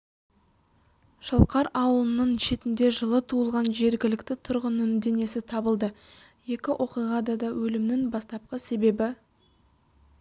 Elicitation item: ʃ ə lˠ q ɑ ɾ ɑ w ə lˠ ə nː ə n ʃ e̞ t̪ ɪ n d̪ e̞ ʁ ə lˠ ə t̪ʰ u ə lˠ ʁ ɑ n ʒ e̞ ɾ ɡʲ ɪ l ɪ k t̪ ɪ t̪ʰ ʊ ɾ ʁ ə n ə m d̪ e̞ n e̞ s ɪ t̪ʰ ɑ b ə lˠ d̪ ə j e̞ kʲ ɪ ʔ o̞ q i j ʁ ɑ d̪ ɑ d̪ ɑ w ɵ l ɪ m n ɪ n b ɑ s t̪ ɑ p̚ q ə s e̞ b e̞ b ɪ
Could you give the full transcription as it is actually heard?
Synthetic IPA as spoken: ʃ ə lˠ q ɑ ɾ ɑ w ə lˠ ə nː ə ɴ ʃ e̞ t̪ ɪ n d̪ e̞ ʒ ə lˠ ə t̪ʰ u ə lˠ ʁ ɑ n ʒ e̞ ɾ ɡʲ ɪ l ɪ k t̪ ɪ t̪ʰ ʊ ɾ ʁ ə n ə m d̪ e̞ n e̞ s ɪ t̪ʰ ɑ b ə lˠ d̪ ə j e̞ kʲ ɪ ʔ o̞ q i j ʁ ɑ d̪ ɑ d̪ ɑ w ɵ l ɪ m n ɪ ŋ b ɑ s t̪ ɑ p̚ q ə s e̞ b e̞ b ɪ